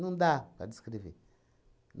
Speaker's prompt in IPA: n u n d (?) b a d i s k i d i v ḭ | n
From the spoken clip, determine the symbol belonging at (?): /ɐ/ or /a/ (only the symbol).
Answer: a